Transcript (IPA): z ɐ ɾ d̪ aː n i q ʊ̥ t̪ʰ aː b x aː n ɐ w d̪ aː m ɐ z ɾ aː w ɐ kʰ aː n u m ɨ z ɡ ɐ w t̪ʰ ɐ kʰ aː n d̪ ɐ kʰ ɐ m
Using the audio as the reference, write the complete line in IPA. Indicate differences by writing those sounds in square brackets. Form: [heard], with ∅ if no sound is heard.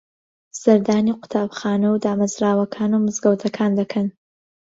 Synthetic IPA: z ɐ ɾ d̪ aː n i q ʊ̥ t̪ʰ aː b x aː n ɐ w d̪ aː m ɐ z ɾ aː w ɐ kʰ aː n u m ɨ z ɡ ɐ w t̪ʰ ɐ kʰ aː n d̪ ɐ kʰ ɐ [n]